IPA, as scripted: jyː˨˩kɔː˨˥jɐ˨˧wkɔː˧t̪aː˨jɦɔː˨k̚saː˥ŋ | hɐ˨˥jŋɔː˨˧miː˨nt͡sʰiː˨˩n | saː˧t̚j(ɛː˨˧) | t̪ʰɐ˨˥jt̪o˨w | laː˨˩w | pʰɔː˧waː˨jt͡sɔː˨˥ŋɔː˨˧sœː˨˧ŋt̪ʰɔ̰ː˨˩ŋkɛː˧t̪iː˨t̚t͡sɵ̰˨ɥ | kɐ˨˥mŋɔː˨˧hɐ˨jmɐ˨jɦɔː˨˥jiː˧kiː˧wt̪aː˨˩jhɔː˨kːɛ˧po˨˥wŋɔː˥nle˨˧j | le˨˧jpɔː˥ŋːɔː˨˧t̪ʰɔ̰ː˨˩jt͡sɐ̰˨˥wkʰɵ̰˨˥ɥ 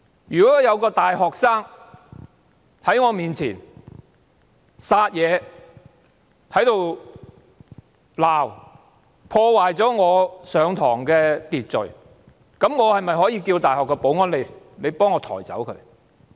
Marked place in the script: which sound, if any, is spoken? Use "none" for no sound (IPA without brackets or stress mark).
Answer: ɛː˨˧